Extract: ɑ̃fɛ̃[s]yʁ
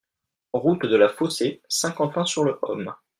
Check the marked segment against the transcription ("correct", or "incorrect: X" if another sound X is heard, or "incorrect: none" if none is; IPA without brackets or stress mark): correct